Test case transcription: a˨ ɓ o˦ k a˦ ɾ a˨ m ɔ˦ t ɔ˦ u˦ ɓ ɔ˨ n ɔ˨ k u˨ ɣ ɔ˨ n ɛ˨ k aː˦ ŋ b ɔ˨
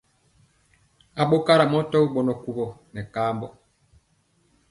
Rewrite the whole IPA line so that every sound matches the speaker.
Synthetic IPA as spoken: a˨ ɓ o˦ k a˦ ɾ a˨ m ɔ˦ t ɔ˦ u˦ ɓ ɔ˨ n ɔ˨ k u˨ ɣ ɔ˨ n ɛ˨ k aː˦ m b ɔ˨